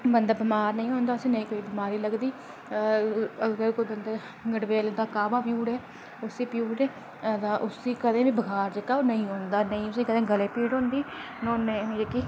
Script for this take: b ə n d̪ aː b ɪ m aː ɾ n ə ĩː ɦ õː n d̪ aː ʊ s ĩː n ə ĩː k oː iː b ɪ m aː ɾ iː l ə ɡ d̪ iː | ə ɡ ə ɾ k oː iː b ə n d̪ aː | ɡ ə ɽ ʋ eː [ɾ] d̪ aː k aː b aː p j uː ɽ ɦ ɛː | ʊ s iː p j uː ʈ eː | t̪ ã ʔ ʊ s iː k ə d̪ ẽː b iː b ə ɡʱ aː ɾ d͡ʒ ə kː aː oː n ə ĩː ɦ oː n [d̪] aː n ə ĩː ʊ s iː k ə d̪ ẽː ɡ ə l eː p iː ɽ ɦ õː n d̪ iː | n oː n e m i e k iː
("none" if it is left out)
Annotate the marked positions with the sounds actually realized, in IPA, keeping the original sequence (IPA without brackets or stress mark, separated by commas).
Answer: l, d̪